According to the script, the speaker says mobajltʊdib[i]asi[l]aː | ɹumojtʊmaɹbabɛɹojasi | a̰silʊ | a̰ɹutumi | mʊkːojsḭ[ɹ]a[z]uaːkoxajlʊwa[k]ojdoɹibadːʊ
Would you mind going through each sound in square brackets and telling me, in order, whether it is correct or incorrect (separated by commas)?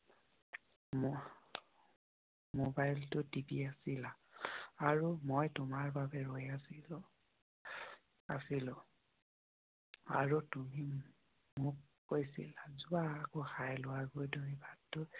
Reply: correct, correct, incorrect, correct, incorrect